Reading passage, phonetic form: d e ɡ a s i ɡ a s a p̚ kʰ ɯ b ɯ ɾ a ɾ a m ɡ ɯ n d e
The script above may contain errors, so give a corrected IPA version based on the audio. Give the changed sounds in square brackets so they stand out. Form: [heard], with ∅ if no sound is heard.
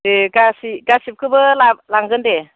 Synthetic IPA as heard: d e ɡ a s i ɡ a s [i] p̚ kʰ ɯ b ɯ [l] a [l] a [ŋ] ɡ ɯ n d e